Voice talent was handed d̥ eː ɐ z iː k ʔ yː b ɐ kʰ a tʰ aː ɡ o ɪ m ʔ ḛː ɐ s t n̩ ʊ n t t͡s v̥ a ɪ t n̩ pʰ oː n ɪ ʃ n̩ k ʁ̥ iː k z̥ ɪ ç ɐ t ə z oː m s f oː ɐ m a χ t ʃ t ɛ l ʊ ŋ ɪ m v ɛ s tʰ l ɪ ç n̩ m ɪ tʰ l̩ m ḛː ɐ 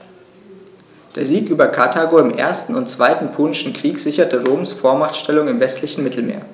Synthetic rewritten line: d̥ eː ɐ z iː k ʔ yː b ɐ kʰ a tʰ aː ɡ o ɪ m ʔ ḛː ɐ s t n̩ ʊ n t t͡s v̥ a ɪ t n̩ pʰ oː n ɪ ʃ n̩ k ʁ̥ iː k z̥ ɪ ç ɐ t ə ʁ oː m s f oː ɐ m a χ t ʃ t ɛ l ʊ ŋ ɪ m v ɛ s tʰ l ɪ ç n̩ m ɪ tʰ l̩ m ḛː ɐ